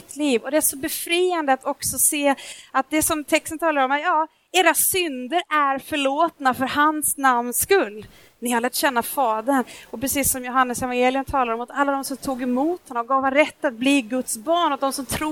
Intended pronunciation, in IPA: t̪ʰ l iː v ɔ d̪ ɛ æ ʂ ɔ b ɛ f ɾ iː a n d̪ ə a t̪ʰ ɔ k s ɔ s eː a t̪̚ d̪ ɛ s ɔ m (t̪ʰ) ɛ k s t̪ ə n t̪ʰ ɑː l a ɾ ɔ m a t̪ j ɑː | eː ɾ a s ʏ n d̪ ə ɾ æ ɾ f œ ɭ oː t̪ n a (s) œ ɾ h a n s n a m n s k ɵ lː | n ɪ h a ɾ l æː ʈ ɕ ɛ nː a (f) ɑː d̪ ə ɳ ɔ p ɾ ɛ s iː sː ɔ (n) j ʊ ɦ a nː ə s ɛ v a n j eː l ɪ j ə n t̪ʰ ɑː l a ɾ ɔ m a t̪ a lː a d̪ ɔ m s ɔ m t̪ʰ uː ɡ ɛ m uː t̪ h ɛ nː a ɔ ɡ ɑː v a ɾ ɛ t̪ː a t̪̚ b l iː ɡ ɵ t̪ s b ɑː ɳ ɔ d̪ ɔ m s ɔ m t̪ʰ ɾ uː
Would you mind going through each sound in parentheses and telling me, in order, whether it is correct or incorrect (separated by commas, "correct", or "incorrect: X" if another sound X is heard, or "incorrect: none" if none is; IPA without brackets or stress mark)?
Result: correct, incorrect: f, correct, incorrect: m